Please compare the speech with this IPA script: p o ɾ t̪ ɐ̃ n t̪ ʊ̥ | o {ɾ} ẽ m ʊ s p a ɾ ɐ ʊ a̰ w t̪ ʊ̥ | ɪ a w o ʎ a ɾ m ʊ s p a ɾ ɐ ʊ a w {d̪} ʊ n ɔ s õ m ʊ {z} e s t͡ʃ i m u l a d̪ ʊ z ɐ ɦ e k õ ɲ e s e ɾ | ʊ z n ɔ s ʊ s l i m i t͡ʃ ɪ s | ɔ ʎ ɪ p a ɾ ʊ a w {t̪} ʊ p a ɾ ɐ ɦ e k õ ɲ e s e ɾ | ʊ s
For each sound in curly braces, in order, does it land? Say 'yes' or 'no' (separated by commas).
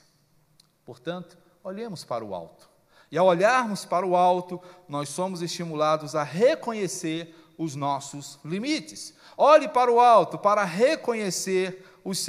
no, no, yes, yes